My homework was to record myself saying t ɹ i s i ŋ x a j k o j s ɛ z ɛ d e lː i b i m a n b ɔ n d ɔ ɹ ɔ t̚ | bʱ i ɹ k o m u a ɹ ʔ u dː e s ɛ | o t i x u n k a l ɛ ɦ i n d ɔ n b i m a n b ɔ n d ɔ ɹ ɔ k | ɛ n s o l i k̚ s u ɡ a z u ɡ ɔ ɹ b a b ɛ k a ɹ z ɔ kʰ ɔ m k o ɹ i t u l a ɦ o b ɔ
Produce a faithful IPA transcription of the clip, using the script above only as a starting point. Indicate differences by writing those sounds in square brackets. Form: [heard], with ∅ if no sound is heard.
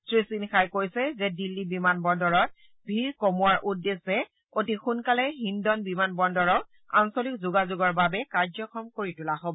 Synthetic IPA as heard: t ɹ i s i [n] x a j k o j s ɛ z ɛ d [i] lː i b i m a n b ɔ n d ɔ ɹ ɔ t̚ | bʱ i ɹ k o m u a ɹ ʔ u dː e s ɛ | o t i x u n k a l ɛ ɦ i n d ɔ n b i m a n b ɔ n d ɔ ɹ ɔ k | [a] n s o l i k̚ [z] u ɡ a z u ɡ ɔ ɹ b a b ɛ k a ɹ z ɔ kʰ ɔ m k o ɹ i t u l a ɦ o b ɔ